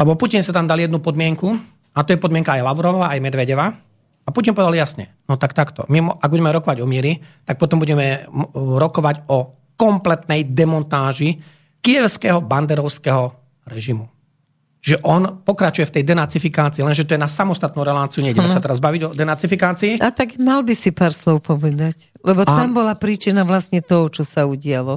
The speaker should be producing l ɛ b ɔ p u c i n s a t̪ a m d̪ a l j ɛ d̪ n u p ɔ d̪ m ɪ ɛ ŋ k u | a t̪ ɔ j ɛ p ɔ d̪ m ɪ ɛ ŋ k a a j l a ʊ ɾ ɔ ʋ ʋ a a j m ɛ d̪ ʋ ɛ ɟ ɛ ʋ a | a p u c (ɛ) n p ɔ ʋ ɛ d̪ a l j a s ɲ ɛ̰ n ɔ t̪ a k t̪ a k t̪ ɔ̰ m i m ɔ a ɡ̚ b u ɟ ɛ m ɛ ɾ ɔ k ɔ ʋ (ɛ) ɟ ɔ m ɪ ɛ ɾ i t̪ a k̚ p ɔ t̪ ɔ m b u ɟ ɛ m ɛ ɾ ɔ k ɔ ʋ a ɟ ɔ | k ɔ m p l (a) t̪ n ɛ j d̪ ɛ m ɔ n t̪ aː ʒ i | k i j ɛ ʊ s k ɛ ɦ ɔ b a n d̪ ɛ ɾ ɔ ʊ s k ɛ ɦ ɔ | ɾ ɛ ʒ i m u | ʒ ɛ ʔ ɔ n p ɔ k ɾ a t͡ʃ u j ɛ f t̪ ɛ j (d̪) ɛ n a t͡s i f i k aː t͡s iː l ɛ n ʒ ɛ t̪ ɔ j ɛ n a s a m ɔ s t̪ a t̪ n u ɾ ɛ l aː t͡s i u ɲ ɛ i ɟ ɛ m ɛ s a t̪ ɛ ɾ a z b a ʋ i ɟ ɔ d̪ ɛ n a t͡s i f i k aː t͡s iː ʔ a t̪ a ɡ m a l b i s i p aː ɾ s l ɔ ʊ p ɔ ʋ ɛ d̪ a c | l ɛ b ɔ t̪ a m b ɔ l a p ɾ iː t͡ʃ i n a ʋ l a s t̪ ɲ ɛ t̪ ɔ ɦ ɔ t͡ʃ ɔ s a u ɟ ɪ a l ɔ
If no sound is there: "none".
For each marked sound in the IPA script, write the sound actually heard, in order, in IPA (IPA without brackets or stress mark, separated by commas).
i, a, ɛ, d̪